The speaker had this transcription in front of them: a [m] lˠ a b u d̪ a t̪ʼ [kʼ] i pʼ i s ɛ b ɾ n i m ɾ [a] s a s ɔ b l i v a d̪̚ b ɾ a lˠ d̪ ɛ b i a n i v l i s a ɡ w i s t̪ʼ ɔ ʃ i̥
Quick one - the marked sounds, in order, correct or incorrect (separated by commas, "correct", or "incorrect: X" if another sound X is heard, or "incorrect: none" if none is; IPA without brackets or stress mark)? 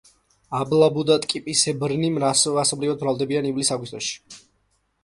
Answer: incorrect: b, correct, correct